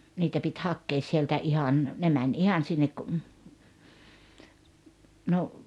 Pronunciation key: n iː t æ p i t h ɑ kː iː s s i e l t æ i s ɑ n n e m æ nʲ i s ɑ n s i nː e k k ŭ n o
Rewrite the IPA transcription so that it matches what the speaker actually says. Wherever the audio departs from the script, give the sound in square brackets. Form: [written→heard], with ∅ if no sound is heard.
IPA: n iː t æ p i t h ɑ kː [iː→eː] s s i e l t æ i [s→h] ɑ n n e m æ nʲ i [s→h] ɑ n s i nː e k k ŭ n o